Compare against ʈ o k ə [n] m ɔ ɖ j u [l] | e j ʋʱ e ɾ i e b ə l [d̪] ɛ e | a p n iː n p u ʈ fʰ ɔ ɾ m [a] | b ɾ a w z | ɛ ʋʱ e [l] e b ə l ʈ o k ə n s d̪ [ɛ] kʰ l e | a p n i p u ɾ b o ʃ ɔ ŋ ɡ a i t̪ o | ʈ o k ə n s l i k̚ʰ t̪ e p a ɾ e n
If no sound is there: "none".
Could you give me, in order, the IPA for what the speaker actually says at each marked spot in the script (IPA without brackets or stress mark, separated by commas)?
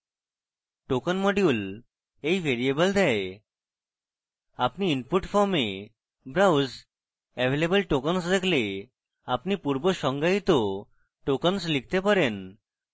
n, l, d̪, e, l, e